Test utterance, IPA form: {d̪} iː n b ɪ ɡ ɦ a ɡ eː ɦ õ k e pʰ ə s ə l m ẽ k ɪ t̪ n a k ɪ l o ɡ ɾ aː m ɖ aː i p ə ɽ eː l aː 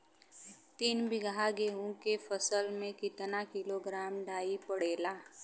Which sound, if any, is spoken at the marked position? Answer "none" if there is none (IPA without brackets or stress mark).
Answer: t̪